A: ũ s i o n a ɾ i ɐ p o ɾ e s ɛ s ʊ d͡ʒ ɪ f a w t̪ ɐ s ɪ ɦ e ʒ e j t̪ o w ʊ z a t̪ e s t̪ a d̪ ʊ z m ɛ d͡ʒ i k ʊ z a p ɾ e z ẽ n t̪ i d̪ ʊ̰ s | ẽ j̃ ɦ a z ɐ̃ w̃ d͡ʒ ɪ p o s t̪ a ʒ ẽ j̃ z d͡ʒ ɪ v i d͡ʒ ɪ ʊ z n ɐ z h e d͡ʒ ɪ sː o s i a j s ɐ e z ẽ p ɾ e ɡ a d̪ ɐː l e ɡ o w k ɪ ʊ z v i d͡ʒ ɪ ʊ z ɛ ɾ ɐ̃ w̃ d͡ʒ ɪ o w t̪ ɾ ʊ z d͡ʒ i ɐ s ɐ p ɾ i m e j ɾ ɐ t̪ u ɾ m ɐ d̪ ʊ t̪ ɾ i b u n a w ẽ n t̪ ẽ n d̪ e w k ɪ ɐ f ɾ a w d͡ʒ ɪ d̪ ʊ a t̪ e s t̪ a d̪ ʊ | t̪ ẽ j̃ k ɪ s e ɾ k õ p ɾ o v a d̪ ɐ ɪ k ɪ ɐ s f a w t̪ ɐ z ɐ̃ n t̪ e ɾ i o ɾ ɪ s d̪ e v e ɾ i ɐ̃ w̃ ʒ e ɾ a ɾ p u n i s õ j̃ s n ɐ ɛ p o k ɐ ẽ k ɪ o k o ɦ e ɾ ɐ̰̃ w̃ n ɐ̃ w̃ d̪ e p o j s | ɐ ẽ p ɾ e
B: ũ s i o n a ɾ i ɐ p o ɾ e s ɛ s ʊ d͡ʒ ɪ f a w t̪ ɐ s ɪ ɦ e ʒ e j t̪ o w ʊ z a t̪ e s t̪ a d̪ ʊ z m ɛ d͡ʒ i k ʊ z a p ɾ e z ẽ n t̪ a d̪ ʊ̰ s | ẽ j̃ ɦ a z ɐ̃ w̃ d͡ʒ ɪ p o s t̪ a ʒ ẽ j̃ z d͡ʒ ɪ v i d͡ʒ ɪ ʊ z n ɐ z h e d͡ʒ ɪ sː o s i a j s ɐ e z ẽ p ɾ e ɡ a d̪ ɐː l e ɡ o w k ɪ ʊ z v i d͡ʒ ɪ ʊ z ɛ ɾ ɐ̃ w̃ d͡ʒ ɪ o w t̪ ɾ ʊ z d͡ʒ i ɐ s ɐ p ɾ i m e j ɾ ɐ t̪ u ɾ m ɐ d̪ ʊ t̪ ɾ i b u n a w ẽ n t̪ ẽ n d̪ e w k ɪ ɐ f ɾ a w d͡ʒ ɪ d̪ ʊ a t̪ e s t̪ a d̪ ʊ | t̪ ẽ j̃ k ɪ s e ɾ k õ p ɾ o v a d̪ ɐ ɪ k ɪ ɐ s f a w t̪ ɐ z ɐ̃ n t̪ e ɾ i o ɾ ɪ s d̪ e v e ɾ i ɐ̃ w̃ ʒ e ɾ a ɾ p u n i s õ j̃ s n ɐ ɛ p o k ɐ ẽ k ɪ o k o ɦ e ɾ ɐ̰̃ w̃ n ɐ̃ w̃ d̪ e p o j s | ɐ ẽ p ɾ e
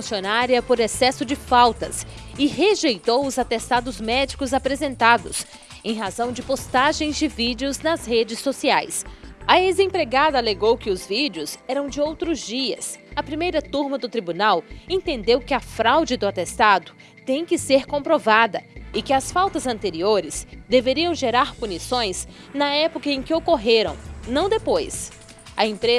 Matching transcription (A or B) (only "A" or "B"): B